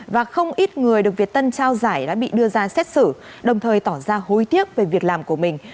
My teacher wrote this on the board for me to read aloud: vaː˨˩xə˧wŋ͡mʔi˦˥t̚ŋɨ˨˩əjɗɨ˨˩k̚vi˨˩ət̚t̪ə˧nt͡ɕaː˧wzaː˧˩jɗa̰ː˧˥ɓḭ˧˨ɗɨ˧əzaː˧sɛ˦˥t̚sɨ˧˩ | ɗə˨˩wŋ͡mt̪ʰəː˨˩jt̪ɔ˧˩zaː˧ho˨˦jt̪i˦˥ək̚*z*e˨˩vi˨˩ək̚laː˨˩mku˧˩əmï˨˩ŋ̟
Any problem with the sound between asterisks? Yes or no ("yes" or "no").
yes